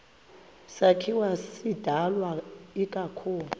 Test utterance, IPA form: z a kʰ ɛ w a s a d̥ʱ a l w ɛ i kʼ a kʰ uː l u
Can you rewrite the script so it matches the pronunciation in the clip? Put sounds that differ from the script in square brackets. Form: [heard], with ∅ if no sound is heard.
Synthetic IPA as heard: [s] a kʰ [i] w a s [i] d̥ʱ a l w [a] i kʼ a kʰ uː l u